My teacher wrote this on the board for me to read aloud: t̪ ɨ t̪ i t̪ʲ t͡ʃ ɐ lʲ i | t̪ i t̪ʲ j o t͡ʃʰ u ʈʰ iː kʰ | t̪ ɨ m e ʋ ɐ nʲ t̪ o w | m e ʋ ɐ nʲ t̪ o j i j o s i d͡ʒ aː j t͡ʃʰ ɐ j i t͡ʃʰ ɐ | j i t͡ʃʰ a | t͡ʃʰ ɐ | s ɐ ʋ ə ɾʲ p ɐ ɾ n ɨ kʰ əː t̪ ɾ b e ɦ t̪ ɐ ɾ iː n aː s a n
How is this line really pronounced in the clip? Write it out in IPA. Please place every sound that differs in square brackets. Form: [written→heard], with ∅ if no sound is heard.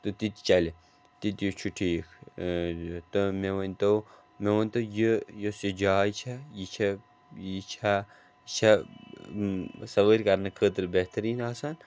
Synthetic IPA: t̪ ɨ t̪ i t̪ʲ t͡ʃ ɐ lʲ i | t̪ i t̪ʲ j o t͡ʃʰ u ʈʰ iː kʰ | t̪ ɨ m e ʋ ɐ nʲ t̪ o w | m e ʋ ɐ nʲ t̪ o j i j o s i d͡ʒ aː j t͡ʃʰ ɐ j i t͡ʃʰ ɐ | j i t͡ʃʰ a | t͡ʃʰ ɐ | s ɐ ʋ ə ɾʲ [p→k] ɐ ɾ n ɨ kʰ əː t̪ ɾ b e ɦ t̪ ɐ ɾ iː n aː s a n